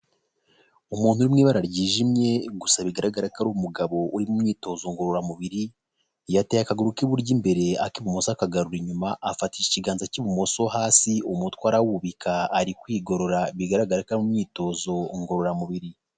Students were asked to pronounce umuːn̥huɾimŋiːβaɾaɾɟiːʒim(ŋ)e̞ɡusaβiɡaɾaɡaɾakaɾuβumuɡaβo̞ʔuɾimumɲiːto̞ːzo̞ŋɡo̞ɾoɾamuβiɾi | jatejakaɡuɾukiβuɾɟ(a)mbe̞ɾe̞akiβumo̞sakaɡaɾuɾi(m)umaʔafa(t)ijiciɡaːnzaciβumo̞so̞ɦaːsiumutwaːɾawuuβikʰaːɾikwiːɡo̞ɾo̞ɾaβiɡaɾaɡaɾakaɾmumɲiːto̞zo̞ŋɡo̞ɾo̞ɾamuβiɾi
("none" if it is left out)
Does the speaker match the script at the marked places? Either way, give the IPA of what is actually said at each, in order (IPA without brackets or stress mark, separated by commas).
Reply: ɲ, i, ɲ, t